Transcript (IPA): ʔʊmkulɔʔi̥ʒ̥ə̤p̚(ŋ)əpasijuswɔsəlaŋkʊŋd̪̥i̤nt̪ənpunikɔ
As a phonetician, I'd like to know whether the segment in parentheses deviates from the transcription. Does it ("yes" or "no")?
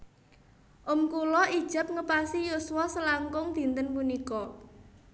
no